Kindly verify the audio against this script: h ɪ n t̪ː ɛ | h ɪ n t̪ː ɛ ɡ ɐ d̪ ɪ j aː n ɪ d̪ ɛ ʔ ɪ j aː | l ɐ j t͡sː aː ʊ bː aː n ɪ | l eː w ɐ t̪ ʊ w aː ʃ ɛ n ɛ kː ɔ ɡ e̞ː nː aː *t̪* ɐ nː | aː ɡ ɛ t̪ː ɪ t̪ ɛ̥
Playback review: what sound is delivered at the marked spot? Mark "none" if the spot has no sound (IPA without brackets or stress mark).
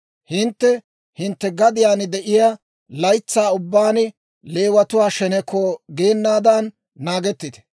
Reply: d̪